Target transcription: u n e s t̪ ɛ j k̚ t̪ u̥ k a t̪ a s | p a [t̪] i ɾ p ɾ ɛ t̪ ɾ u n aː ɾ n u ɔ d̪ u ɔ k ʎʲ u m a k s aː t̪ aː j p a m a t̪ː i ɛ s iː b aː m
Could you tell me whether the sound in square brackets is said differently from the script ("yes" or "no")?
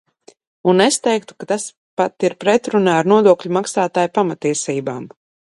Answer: no